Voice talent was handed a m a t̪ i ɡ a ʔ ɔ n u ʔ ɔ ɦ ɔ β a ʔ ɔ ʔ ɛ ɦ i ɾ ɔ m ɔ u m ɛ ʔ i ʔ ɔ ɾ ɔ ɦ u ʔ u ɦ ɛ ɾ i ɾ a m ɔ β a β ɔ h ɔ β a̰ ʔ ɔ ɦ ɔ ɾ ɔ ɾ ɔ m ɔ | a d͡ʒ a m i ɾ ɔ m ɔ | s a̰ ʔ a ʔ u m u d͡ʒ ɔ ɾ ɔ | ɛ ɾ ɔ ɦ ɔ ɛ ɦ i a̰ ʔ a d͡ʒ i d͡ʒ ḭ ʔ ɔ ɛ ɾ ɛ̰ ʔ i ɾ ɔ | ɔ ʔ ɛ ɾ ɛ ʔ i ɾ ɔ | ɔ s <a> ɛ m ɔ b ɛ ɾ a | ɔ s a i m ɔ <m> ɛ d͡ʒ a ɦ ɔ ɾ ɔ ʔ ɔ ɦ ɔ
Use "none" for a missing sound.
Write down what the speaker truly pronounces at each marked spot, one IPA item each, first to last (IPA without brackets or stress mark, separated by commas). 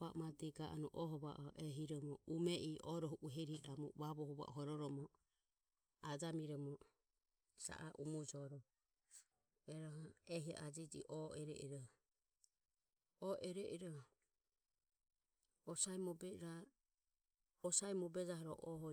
a, b